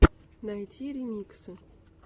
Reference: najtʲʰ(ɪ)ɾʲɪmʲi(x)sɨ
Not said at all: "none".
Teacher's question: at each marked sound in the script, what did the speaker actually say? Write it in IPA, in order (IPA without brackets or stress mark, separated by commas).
i, k